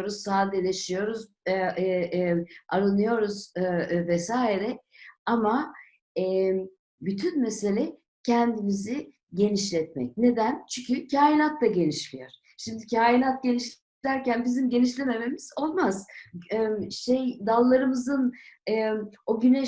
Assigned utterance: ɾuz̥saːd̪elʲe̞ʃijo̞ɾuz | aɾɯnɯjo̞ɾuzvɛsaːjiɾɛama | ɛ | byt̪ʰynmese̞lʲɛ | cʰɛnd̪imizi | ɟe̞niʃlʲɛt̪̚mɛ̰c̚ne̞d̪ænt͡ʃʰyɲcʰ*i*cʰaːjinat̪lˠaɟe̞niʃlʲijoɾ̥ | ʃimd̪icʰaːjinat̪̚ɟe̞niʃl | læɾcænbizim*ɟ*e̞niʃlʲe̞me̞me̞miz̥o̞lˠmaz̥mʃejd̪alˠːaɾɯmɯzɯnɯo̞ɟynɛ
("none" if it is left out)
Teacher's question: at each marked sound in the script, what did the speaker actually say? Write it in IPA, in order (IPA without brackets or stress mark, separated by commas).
y, ɟ